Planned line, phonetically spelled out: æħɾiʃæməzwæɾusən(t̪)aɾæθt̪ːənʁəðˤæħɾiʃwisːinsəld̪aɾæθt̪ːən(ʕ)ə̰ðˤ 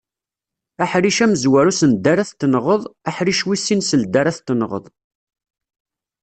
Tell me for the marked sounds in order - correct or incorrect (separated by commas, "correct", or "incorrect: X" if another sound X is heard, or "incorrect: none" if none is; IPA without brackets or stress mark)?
incorrect: d̪, incorrect: ʁ